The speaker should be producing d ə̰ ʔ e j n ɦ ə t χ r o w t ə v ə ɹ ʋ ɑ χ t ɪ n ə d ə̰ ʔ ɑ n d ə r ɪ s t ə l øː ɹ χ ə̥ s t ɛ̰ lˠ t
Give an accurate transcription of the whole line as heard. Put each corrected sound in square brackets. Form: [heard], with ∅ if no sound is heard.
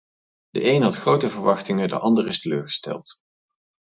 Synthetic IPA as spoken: d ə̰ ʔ e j n ɦ [ɑ] t χ r o w t ə v ə ɹ ʋ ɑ χ t ɪ [ŋ] ə d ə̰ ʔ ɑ n d ə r ɪ s t ə l øː ɹ χ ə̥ s t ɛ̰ lˠ t